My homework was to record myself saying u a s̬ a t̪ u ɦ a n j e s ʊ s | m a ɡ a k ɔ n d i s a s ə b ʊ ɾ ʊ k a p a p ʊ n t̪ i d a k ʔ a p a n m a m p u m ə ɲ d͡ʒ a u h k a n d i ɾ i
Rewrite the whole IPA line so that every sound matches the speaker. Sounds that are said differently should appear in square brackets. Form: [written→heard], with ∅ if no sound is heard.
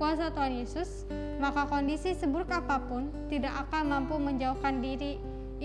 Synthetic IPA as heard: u a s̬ a t̪ u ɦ a n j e s ʊ s | m a [ɡ→k] a k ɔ n d i s [a→i] s ə b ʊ ɾ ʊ k a p a p ʊ n t̪ i d a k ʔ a [p→k] a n m a m p u m ə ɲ d͡ʒ a u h k a n d i ɾ i